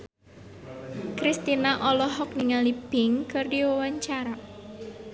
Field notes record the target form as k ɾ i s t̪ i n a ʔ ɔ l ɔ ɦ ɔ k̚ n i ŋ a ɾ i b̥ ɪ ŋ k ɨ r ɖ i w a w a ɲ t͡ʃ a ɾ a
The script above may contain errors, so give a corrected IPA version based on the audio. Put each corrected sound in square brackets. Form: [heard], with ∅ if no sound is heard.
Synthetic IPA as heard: k ɾ i s t̪ i n a ʔ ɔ l ɔ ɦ ɔ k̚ n i ŋ a [l] i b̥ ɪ ŋ k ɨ r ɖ i w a w a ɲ t͡ʃ a ɾ a